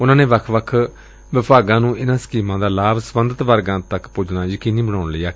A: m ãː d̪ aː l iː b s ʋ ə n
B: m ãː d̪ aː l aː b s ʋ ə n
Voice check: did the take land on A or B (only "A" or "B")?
B